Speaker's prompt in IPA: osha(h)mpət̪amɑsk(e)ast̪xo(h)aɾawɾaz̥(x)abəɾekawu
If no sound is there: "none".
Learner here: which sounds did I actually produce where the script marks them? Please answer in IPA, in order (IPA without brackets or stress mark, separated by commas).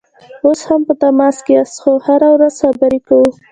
none, e, h, x